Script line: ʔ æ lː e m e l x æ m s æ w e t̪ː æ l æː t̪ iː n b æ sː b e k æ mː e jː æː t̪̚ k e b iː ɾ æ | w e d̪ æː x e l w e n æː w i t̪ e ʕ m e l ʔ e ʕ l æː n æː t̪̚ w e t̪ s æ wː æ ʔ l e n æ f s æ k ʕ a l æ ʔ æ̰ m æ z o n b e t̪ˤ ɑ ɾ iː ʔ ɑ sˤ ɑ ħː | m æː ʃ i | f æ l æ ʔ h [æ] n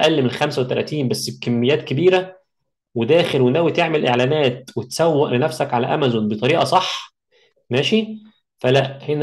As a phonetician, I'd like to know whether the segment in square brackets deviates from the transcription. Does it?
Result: yes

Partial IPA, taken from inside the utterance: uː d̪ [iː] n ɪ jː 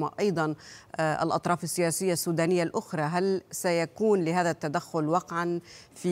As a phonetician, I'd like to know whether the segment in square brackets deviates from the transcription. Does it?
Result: yes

